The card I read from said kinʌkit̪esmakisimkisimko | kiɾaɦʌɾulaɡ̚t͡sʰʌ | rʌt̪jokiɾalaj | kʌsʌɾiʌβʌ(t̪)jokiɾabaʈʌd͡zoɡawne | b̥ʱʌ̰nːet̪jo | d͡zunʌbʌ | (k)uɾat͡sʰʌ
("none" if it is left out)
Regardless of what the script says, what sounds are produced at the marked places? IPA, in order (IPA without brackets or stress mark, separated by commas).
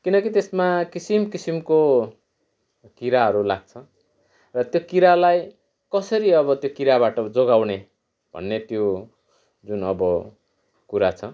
t̪, k